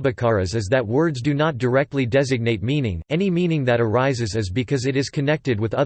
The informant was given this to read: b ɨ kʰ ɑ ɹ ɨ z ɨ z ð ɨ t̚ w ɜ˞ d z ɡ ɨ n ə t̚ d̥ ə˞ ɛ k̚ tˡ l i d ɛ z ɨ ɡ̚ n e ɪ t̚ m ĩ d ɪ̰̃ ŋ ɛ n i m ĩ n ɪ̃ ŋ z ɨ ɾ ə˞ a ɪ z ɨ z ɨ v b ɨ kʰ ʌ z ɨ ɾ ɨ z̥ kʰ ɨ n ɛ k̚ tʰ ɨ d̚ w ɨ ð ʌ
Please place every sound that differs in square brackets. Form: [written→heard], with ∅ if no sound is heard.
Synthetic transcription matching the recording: b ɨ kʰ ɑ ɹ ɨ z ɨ z ð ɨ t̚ w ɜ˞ d z [ɡ→d] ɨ n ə t̚ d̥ ə˞ ɛ k̚ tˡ l i d ɛ z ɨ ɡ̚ n e ɪ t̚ m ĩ [d→n] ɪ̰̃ ŋ ɛ n i m ĩ n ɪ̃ ŋ [z→ð] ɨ ɾ ə˞ a ɪ z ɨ z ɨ [v→z] b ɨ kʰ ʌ z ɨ ɾ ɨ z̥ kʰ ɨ n ɛ k̚ [tʰ→t] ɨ d̚ w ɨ ð ʌ

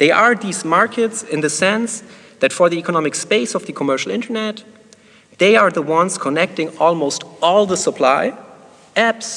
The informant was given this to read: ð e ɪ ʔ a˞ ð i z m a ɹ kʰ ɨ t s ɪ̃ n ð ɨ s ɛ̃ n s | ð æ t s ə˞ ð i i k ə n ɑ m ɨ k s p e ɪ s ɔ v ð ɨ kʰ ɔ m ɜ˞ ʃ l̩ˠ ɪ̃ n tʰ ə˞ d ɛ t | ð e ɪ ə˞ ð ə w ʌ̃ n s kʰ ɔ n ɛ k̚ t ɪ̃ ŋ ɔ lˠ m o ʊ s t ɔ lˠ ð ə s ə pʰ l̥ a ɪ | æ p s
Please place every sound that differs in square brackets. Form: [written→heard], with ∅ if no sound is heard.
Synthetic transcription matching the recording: ð e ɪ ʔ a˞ ð i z m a ɹ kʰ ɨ t s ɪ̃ n ð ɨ s ɛ̃ n s | ð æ t [s→f] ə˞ ð i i k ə n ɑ m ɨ k s p e ɪ s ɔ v ð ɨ kʰ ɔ m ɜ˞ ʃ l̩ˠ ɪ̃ n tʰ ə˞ [d→n] ɛ t | ð e ɪ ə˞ ð ə w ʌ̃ n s kʰ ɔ n ɛ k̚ t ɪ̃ ŋ ɔ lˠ m o ʊ s t ɔ lˠ ð ə s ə pʰ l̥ a ɪ | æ p s

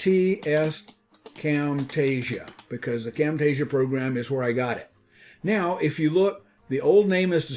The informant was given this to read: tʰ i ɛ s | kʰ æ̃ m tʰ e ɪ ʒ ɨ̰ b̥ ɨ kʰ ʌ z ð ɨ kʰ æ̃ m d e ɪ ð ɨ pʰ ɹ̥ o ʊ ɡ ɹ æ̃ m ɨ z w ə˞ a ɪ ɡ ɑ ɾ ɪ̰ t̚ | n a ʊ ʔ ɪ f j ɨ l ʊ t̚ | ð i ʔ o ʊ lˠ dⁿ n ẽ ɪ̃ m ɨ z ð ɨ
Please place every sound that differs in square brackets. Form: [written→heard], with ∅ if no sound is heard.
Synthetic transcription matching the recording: tʰ i ɛ s | kʰ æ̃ m tʰ e ɪ ʒ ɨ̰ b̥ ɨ kʰ ʌ z ð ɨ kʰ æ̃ m [d→t] e ɪ [ð→ʒ] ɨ pʰ ɹ̥ o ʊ ɡ ɹ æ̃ m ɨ z w ə˞ a ɪ ɡ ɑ ɾ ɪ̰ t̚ | n a ʊ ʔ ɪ f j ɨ l ʊ [t̚→k̚] | ð i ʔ o ʊ lˠ dⁿ n ẽ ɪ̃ m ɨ z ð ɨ

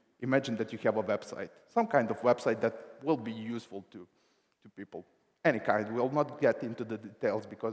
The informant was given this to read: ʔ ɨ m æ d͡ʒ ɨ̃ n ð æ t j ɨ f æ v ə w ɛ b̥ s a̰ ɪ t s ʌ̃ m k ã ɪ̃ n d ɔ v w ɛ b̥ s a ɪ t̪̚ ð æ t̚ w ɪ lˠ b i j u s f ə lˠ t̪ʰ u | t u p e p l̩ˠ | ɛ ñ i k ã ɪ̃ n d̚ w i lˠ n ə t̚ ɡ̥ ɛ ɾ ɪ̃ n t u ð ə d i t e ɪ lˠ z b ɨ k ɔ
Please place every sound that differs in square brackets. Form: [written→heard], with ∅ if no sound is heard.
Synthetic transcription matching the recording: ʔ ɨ m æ d͡ʒ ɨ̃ n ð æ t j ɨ [f→h] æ v ə w ɛ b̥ s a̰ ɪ t s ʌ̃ m k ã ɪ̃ n d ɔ v w ɛ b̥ s a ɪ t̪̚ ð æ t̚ w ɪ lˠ b i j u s f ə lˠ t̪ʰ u | t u p [e→i] p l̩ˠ | ɛ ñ i k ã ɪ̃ n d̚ w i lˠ n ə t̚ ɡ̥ ɛ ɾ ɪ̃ n t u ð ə d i t e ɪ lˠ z b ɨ k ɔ

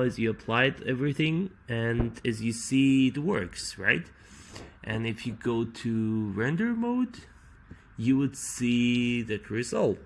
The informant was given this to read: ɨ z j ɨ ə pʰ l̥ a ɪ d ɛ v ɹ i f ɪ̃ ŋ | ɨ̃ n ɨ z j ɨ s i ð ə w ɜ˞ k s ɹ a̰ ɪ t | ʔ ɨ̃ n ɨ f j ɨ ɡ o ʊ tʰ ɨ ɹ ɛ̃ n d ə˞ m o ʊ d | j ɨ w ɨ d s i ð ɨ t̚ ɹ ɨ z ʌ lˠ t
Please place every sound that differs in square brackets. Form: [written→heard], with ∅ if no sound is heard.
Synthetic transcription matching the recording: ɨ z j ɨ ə pʰ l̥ a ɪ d ɛ v ɹ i [f→θ] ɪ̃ ŋ | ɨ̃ n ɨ z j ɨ s i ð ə w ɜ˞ k s ɹ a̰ ɪ t | ʔ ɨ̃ n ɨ f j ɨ ɡ o ʊ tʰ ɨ ɹ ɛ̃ n d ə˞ m o ʊ d | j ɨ w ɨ d s i ð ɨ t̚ ɹ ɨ z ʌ lˠ t

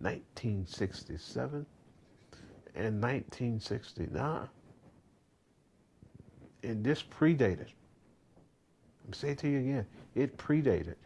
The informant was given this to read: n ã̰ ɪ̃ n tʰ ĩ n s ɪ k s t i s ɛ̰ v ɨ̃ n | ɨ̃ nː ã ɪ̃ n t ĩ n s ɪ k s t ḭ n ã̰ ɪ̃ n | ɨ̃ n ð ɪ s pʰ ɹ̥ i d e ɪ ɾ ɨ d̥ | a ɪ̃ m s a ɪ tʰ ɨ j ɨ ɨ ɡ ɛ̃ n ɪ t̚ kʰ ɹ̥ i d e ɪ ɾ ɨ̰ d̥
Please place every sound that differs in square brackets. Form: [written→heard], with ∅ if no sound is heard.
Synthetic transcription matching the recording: n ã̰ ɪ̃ n tʰ ĩ n s ɪ k s t i s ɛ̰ v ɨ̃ n | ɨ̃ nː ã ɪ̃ n [t→tʰ] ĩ n s ɪ k s t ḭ n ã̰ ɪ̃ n | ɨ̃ n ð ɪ s pʰ ɹ̥ i d e ɪ ɾ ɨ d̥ | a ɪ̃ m s [a→e] ɪ tʰ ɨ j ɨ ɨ ɡ ɛ̃ n ɪ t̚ [kʰ→pʰ] ɹ̥ i d e ɪ ɾ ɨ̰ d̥

